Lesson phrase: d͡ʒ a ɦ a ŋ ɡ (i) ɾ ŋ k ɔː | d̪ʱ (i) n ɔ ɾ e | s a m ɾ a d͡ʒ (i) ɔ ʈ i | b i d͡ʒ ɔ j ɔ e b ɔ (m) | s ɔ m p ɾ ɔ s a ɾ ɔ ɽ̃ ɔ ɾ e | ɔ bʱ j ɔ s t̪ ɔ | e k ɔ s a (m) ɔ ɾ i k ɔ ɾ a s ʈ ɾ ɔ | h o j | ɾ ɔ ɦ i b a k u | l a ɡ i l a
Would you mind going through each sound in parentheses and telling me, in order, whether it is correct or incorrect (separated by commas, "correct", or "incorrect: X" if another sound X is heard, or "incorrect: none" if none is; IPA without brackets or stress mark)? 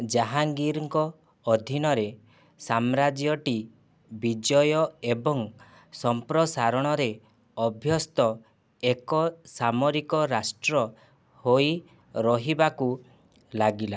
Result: correct, correct, incorrect: j, incorrect: ŋ, correct